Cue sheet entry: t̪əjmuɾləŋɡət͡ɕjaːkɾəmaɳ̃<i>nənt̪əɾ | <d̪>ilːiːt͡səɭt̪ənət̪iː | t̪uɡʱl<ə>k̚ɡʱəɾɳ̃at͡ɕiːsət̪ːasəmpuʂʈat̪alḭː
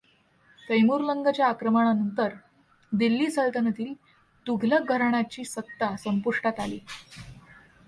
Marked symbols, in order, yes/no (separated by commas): no, yes, yes